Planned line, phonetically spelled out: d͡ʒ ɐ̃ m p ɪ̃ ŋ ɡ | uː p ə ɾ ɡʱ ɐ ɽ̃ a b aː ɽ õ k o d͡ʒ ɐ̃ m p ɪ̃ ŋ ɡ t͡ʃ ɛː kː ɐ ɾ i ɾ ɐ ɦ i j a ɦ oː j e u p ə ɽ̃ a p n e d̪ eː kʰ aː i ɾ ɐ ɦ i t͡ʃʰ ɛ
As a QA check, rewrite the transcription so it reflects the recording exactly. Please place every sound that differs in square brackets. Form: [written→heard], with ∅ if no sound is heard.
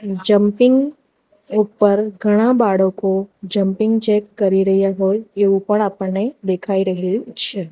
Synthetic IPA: d͡ʒ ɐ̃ m p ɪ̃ ŋ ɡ | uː p ə ɾ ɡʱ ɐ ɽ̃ a b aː ɽ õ k o d͡ʒ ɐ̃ m p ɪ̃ ŋ ɡ t͡ʃ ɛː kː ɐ ɾ i ɾ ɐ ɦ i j a ɦ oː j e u p ə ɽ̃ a p n e d̪ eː kʰ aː i ɾ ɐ ɦ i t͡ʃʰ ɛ